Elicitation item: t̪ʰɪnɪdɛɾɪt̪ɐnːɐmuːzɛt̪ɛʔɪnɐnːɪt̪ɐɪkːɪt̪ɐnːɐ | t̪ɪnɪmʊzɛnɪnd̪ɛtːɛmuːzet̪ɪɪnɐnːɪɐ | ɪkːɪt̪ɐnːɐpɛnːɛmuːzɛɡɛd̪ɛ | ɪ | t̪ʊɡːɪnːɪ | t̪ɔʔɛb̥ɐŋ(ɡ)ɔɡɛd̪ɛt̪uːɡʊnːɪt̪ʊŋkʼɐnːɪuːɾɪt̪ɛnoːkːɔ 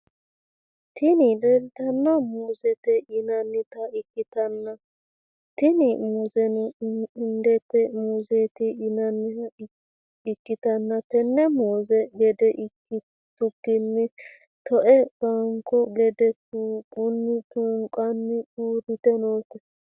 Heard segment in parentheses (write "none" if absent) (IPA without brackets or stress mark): k